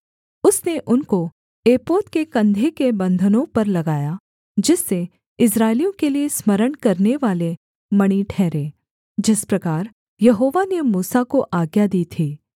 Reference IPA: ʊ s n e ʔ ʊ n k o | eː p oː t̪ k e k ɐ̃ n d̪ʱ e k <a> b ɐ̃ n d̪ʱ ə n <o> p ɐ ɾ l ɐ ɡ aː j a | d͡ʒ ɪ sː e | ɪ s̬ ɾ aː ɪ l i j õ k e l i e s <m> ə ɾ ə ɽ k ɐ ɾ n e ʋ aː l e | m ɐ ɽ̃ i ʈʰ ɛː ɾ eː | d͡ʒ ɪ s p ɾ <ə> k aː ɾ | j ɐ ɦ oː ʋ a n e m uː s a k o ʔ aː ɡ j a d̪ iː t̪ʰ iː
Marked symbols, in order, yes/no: no, no, yes, no

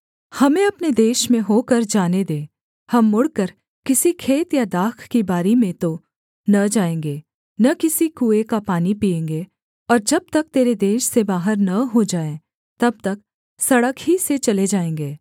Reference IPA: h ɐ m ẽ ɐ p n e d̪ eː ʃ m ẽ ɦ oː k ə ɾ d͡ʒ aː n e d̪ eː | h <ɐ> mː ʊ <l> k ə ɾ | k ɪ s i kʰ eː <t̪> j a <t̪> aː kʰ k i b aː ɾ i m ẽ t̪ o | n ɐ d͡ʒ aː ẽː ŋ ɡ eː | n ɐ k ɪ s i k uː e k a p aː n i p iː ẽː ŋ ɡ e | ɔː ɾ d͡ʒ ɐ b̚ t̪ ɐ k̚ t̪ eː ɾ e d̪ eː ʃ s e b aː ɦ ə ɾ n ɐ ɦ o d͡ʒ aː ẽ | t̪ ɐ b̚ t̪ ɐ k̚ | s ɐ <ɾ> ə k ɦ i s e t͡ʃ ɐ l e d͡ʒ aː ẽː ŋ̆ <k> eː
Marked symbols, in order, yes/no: yes, no, yes, no, no, no

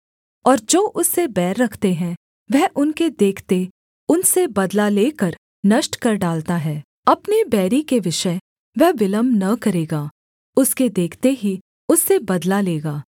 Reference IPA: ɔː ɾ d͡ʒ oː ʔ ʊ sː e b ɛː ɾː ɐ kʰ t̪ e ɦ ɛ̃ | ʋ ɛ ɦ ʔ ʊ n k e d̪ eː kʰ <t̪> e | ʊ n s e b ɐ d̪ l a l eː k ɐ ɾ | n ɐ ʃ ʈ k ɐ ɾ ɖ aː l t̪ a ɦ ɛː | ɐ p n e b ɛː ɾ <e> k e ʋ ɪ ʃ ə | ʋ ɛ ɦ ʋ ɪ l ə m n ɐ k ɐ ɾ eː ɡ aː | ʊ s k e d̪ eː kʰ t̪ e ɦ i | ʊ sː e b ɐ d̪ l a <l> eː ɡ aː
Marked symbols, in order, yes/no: yes, no, yes

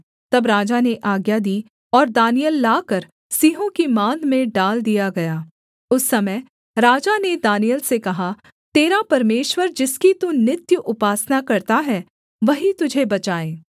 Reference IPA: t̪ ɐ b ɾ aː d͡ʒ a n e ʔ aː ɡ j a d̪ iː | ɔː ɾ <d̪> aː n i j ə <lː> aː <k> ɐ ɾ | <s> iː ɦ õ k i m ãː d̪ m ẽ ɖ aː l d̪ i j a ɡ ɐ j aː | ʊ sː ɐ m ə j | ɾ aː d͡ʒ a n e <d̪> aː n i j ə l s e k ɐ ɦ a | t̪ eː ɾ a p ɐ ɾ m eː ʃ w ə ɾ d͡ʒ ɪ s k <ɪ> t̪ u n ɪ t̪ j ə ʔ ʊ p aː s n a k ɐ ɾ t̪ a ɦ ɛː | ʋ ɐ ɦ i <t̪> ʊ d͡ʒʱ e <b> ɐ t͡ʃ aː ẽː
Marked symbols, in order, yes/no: yes, yes, yes, yes, yes, no, yes, yes

